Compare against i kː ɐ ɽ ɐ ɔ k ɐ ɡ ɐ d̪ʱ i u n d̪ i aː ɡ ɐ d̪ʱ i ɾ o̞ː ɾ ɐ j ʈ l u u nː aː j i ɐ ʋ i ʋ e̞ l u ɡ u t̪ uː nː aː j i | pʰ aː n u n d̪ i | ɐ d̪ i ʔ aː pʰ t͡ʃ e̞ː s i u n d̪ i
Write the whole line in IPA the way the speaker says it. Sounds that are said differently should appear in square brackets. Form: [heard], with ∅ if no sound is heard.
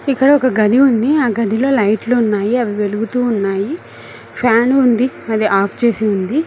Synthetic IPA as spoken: i kː ɐ ɽ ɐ ɔ k ɐ ɡ ɐ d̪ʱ i u n d̪ i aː ɡ ɐ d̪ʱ i [l] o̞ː [l] ɐ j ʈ l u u nː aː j i ɐ ʋ i ʋ e̞ l u ɡ u t̪ uː nː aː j i | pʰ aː n u n d̪ i | ɐ d̪ i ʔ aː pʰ t͡ʃ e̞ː s i u n d̪ i